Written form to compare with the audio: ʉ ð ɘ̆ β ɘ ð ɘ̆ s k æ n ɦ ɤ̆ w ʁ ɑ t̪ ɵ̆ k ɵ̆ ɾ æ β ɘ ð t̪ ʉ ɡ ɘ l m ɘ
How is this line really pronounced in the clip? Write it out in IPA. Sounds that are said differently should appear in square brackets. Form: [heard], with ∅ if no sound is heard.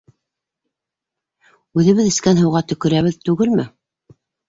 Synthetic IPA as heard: ʉ ð ɘ̆ β ɘ ð ɘ̆ s k æ n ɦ ɤ̆ w ʁ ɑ t̪ ɵ̆ k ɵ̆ ɾ æ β ɘ ð t̪ ʉ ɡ ɘ l m ɘ